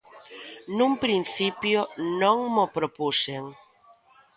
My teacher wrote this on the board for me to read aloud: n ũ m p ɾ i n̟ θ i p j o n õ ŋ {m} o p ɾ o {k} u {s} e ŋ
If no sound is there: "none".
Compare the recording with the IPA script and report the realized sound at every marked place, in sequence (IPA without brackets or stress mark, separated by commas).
m, p, s